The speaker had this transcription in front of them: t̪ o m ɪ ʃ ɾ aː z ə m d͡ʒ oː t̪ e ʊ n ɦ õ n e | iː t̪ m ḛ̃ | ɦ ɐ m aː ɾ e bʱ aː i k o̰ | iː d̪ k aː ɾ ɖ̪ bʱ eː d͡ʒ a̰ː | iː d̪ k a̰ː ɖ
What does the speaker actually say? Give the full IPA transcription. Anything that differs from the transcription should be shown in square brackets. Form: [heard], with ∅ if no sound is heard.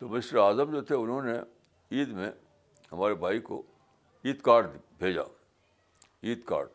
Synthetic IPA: t̪ o m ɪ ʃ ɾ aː z ə m d͡ʒ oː [t̪ʰ] e ʊ n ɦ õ n e | iː [d̪] m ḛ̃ | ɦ ɐ m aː ɾ e bʱ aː i k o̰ | iː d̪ k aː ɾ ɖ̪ bʱ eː d͡ʒ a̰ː | iː d̪ k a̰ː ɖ